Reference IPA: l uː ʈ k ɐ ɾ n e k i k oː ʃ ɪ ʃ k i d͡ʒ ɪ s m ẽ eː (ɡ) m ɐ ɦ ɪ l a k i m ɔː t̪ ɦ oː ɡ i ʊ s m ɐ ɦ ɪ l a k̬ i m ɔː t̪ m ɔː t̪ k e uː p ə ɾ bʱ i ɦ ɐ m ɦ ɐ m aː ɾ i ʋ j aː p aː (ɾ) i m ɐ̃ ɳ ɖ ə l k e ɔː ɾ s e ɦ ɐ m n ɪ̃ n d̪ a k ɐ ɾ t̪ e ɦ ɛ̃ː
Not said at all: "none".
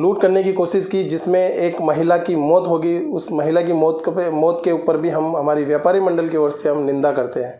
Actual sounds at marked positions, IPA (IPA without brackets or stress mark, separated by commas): k, ɾ